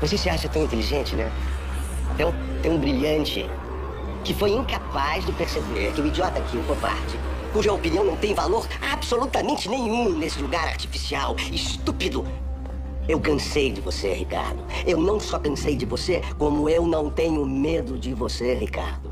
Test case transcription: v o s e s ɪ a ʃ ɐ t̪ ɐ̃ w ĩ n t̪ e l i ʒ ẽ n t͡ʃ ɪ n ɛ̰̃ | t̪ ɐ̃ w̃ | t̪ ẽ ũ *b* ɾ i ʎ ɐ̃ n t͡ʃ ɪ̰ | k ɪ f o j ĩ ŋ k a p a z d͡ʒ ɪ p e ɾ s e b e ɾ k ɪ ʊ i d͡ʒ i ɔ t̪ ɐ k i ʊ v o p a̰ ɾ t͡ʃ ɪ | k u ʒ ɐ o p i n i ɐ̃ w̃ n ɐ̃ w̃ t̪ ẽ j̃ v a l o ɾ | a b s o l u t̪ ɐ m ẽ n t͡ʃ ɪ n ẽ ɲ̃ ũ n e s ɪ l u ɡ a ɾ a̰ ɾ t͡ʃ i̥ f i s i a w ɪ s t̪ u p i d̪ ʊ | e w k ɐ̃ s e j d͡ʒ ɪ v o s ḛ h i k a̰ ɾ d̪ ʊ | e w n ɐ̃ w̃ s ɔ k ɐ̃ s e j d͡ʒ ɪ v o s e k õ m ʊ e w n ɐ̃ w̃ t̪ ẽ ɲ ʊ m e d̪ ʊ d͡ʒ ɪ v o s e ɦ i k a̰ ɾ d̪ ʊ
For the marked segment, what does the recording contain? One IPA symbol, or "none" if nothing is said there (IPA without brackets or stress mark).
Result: b